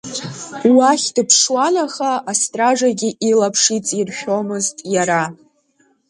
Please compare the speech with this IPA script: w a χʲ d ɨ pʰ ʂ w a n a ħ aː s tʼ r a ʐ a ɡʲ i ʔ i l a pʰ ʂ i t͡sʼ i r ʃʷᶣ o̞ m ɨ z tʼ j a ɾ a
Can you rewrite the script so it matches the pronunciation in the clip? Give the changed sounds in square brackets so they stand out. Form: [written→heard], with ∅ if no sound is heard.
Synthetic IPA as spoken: w a χʲ d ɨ pʰ ʂ w a n a [ħ→χ] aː s tʼ r a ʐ a ɡʲ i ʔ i l a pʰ ʂ i t͡sʼ i r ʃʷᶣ o̞ m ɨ z tʼ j a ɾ a